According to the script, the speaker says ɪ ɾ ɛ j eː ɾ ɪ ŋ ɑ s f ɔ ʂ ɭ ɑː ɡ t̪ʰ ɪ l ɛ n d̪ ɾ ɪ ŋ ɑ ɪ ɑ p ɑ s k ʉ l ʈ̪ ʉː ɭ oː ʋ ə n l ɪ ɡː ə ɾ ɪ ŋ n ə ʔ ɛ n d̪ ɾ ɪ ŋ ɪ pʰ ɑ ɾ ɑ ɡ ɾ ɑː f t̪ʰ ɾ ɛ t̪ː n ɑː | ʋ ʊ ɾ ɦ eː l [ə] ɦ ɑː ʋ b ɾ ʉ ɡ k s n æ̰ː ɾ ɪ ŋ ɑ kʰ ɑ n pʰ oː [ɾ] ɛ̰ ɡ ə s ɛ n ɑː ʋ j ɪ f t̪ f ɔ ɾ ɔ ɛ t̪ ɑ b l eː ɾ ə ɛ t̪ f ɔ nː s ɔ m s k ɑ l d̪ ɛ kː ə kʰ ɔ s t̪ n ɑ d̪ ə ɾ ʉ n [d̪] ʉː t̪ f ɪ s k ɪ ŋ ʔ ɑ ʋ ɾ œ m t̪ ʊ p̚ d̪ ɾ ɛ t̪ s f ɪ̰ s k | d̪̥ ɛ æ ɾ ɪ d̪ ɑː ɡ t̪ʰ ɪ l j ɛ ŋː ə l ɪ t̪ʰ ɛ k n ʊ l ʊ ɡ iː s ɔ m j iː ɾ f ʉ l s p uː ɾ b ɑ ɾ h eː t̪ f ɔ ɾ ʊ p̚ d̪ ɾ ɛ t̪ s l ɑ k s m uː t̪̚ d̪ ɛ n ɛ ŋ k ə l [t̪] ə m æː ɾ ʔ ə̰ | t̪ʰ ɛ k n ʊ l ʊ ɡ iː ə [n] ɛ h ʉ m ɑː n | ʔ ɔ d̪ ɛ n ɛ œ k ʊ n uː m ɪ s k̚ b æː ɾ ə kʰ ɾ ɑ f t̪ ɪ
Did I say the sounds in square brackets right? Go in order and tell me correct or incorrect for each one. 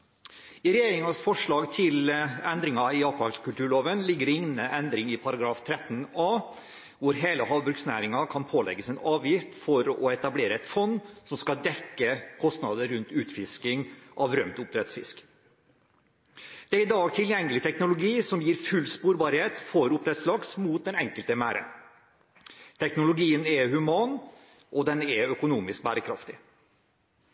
correct, incorrect: l, incorrect: t̪, correct, correct

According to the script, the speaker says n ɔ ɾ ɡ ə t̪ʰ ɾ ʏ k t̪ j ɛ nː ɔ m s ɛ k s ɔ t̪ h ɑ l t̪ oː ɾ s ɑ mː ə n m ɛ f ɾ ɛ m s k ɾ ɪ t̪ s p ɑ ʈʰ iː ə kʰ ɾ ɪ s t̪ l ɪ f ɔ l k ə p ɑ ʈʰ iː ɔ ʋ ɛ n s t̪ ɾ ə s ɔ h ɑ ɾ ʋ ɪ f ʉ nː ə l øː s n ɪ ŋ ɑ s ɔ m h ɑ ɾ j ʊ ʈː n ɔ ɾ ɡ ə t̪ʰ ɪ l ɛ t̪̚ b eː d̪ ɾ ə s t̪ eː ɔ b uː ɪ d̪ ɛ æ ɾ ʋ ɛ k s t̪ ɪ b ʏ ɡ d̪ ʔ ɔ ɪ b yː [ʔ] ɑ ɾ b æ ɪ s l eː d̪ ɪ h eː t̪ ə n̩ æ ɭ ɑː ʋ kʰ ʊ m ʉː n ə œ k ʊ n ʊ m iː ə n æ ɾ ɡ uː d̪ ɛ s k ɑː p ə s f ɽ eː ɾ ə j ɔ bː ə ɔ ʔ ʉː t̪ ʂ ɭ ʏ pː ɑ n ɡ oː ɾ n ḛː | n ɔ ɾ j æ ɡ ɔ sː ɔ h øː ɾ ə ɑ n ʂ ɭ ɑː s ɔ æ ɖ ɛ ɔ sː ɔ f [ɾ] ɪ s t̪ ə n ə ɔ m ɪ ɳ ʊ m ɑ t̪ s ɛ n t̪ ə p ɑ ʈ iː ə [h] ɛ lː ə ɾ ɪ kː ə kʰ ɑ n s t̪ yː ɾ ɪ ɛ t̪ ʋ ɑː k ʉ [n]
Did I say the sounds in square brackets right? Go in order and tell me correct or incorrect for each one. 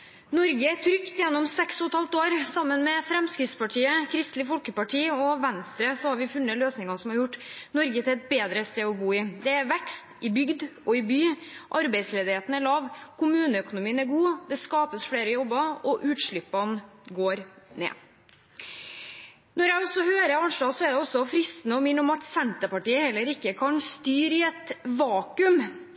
correct, correct, correct, incorrect: m

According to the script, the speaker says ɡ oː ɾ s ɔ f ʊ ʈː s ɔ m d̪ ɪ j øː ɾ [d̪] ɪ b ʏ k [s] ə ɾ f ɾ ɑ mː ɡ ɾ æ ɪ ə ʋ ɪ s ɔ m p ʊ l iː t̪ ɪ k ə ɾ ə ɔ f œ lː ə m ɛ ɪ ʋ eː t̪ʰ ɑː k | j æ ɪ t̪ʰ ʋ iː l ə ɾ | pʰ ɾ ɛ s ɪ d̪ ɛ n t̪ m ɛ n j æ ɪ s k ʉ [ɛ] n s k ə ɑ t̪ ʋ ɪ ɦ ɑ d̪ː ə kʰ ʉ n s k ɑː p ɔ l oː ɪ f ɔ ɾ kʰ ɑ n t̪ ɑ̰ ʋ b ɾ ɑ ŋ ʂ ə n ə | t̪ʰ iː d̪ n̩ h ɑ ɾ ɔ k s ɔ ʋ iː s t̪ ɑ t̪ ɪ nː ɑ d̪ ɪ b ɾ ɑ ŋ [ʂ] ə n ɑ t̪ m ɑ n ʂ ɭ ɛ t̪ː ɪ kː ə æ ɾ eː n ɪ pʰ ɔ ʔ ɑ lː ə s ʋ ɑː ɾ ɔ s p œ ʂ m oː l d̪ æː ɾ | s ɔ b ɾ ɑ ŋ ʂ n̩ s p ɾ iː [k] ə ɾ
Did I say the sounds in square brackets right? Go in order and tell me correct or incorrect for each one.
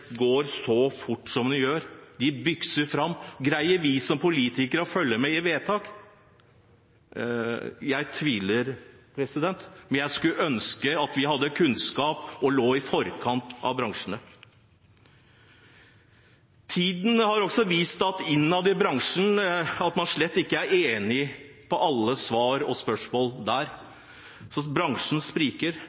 correct, correct, incorrect: œ, correct, correct

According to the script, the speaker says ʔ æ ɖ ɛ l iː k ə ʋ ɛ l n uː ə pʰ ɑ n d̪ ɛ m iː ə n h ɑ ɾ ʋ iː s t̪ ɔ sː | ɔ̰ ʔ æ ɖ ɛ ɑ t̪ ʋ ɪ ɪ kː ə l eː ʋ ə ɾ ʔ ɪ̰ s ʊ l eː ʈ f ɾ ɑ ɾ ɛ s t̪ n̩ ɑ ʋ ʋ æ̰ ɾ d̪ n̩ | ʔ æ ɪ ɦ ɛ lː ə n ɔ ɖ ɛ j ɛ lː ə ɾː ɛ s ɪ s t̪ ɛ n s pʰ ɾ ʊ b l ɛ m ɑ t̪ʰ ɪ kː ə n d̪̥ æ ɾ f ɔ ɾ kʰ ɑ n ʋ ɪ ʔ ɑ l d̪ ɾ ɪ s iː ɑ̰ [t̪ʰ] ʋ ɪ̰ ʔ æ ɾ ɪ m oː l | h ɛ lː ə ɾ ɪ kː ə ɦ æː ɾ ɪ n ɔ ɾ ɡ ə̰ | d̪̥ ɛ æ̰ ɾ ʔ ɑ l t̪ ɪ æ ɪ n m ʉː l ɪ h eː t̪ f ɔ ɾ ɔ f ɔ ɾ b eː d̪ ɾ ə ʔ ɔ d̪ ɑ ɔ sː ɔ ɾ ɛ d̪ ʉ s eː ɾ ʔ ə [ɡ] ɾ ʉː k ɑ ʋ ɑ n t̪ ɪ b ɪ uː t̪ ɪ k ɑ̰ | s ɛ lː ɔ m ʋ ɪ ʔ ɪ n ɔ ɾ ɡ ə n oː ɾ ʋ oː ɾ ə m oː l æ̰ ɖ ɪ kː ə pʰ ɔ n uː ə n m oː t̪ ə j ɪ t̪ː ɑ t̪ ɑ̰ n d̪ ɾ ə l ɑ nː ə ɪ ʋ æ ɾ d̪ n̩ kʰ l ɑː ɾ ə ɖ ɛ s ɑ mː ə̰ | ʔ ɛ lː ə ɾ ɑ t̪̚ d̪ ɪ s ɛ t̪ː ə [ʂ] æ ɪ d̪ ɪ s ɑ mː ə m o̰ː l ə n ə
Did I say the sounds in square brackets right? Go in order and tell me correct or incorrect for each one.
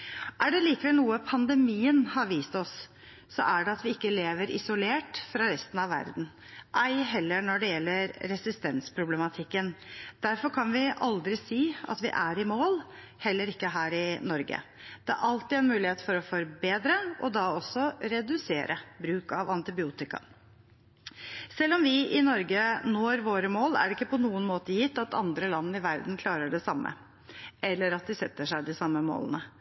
incorrect: t̪, incorrect: b, correct

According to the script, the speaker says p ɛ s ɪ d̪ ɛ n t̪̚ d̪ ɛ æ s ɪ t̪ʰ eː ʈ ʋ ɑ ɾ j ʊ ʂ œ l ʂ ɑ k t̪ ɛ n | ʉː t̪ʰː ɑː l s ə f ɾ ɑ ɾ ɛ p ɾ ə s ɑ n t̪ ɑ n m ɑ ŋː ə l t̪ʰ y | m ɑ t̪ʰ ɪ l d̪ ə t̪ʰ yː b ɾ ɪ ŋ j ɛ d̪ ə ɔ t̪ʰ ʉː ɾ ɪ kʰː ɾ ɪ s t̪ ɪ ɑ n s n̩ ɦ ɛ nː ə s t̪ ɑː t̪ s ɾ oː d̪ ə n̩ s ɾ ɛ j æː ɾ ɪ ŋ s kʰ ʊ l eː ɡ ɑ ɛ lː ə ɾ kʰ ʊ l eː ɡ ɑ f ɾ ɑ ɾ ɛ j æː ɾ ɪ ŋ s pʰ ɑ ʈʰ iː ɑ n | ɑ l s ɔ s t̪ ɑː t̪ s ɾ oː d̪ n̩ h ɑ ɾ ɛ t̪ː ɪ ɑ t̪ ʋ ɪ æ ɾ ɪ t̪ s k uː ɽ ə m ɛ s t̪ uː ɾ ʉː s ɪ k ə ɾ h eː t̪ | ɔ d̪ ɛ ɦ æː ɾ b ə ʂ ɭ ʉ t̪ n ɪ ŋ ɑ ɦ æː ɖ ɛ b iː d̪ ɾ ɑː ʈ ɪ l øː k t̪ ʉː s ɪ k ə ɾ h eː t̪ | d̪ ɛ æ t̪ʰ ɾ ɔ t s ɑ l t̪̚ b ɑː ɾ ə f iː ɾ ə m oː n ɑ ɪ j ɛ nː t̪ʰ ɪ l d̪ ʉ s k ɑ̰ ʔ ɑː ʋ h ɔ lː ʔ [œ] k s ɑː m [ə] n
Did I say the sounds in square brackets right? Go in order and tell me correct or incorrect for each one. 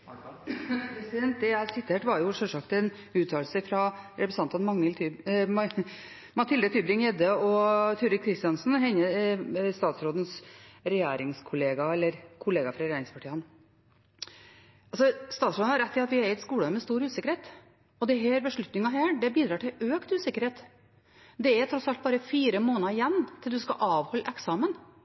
incorrect: ɛ, correct

